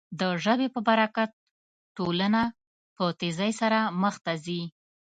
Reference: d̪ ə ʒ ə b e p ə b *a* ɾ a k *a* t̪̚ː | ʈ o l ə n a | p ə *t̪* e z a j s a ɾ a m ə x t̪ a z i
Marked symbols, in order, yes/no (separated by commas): yes, yes, yes